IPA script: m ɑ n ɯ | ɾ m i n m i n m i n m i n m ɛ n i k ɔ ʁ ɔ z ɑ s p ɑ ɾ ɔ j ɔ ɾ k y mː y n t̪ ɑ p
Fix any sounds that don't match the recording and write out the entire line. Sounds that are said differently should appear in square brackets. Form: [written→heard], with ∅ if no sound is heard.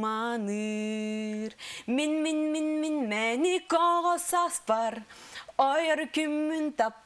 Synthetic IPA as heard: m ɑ n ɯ | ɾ m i n m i n m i n m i n m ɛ n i k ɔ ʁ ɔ [z→s] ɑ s p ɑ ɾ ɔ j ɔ ɾ k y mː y n t̪ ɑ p